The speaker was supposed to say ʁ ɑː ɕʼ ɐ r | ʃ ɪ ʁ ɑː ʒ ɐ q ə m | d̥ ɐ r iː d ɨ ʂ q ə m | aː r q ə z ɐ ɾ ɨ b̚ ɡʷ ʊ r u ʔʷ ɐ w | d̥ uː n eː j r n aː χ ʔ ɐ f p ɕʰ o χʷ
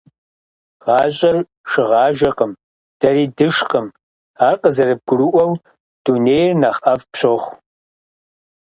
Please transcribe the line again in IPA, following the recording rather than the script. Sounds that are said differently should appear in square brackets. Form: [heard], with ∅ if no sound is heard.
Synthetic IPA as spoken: ʁ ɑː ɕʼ ɐ r | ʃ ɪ ʁ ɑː ʒ ɐ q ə m | d̥ ɐ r iː d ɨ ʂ q ə m | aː r q ə z ɐ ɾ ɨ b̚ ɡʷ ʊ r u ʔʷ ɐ w | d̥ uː n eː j r n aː χ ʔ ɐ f p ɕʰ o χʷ